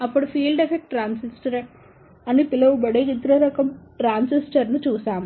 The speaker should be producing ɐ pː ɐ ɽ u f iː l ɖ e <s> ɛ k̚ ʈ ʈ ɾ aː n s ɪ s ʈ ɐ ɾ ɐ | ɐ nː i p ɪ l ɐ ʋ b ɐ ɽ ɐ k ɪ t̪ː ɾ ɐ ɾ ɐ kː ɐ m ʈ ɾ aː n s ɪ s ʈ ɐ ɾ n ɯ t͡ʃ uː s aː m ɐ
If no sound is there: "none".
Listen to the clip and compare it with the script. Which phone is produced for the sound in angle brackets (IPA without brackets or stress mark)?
f